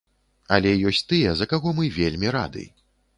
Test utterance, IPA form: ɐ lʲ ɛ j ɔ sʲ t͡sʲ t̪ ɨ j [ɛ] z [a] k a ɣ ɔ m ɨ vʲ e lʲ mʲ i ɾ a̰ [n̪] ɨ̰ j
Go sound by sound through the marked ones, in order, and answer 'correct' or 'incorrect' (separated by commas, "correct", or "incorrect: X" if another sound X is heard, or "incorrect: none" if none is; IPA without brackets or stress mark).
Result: correct, incorrect: ɐ, incorrect: d̪